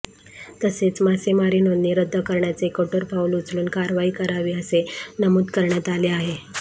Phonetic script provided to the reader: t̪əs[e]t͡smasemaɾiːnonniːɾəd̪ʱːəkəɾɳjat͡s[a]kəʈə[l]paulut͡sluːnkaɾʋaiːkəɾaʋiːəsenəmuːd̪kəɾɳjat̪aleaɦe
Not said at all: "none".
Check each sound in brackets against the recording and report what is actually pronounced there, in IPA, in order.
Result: e, e, ɾ

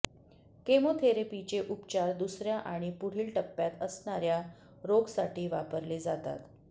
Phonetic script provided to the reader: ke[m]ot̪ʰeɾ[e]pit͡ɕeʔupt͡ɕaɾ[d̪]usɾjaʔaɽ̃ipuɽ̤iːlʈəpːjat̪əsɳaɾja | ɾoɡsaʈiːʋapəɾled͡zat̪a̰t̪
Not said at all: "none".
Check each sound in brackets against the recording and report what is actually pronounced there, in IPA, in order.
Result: m, e, d̪

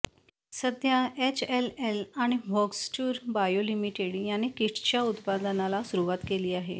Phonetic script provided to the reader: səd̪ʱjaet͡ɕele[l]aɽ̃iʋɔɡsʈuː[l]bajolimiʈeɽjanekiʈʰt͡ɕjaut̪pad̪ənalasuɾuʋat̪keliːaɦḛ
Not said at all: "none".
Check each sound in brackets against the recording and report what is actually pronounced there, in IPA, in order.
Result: l, ɾ

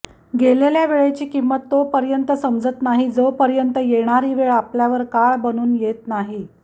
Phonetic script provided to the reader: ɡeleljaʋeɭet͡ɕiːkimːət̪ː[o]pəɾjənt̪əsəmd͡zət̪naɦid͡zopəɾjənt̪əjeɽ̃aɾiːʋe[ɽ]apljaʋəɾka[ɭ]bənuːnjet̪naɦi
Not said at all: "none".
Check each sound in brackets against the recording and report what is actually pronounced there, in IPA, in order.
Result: o, ɭ, ɭ

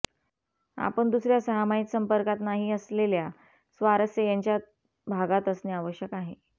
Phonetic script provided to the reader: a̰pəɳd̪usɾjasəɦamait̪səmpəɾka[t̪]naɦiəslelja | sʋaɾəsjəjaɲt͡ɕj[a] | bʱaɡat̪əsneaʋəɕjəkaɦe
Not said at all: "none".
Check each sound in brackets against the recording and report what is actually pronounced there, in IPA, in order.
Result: t̪, a

